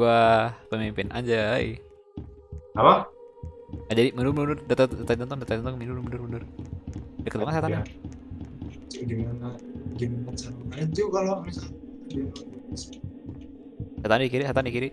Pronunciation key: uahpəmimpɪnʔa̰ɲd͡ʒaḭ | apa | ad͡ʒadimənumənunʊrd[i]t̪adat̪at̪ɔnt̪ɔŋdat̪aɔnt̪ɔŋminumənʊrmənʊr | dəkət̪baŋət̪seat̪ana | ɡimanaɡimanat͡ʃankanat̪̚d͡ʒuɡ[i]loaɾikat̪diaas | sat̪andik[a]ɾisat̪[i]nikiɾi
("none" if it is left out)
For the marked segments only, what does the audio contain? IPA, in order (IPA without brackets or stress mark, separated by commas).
a, a, i, a